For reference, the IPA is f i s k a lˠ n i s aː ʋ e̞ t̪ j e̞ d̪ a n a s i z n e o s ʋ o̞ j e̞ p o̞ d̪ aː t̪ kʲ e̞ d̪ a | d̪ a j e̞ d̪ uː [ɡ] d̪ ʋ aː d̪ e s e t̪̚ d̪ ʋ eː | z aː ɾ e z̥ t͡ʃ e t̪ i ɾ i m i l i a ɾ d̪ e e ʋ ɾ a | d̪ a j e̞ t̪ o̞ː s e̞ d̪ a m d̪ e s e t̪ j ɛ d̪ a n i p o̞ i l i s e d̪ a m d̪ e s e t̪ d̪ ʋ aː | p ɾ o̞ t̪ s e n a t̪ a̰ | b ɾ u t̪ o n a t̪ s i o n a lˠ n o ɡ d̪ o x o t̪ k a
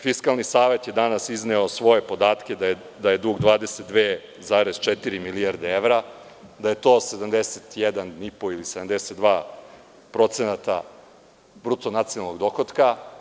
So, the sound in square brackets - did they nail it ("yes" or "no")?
yes